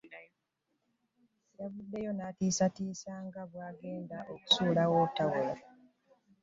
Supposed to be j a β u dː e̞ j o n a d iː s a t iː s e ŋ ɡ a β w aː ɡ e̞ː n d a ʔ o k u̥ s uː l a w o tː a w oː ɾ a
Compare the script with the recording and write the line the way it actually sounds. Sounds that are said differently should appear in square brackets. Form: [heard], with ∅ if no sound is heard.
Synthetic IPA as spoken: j a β u dː e̞ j o n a [t] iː s a t iː s [a] ŋ ɡ a β w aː ɡ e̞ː n d a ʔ o k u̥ s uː l a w o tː a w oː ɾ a

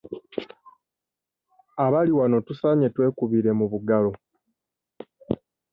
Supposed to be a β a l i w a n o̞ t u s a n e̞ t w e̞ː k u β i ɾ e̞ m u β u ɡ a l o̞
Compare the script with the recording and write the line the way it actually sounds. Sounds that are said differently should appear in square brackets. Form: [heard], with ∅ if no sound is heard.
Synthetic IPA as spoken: a β a l i w a n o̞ t u s a [ɲ] e̞ t w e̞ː k u β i ɾ e̞ m u β u ɡ a l o̞

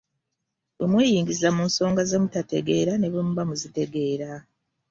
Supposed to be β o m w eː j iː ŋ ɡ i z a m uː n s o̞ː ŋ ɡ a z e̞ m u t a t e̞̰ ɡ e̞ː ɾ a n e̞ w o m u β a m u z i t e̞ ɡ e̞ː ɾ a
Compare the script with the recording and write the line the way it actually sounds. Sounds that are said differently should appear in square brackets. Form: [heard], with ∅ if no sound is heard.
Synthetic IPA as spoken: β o m w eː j iː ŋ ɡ i z a m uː n s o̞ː ŋ ɡ a z e̞ m u t a t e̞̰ ɡ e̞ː ɾ a n e̞ [β] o m u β a m u z i t e̞ ɡ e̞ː ɾ a

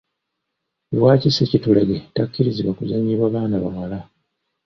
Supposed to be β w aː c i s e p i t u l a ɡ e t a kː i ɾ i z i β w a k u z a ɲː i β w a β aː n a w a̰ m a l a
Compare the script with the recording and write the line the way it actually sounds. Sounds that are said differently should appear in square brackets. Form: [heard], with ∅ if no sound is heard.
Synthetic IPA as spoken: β w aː c i s e [c] i t u l a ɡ e t a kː i ɾ i z i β w a k u z a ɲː i β w a β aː n a [β] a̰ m a l a

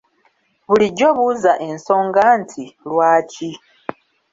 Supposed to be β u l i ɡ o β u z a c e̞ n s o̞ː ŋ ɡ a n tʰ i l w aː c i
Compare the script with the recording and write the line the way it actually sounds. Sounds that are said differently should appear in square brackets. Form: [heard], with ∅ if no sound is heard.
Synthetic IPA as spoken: β u l i [ɟ] o β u z a [ʔ] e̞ n s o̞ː ŋ ɡ a n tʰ i l w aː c i

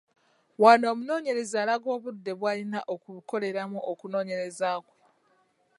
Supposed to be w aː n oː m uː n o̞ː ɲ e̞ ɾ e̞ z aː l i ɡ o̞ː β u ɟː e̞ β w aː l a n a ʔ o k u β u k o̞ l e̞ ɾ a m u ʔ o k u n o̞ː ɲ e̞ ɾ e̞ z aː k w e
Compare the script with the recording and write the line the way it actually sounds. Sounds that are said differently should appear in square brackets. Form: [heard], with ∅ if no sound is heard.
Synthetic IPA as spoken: w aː n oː m [u] n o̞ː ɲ e̞ ɾ e̞ z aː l [a] ɡ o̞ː β u [dː] e̞ β w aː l [i] n a ʔ o k u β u k o̞ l e̞ ɾ a m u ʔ o k u n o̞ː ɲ e̞ ɾ e̞ z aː k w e

